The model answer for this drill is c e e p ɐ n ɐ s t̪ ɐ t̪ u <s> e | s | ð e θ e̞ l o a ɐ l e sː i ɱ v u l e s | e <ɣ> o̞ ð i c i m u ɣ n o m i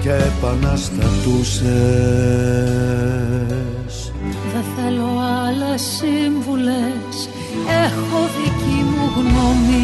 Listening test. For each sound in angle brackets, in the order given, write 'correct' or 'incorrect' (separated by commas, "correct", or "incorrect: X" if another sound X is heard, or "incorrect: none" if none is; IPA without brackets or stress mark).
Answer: correct, incorrect: x